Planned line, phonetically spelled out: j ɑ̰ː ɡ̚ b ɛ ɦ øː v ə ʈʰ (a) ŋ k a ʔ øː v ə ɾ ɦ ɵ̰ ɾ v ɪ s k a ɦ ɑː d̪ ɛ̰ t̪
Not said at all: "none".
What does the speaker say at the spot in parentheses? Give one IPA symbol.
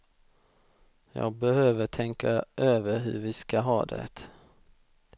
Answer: ɛ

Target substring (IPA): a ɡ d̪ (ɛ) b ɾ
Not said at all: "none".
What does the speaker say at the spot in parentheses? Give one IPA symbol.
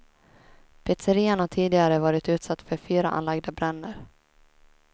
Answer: a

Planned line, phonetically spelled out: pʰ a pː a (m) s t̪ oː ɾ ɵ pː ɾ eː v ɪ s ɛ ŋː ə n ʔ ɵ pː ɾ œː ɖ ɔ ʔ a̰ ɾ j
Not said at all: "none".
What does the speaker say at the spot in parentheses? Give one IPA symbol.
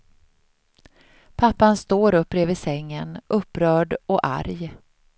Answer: n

